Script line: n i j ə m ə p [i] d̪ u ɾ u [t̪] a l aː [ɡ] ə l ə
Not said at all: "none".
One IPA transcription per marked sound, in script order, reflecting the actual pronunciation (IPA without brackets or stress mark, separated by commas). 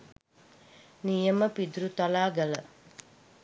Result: i, t̪, ɡ